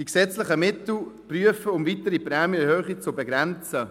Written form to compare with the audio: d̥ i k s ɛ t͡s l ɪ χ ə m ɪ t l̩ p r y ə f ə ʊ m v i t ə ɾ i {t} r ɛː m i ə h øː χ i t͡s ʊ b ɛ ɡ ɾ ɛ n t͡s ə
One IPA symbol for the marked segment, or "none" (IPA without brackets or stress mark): p